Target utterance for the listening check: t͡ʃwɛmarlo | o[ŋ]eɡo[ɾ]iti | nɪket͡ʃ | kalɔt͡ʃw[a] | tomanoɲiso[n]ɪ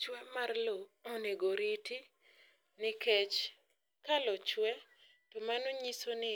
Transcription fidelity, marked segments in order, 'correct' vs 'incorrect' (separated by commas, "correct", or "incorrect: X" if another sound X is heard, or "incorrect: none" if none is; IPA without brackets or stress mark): incorrect: n, correct, incorrect: ɛ, correct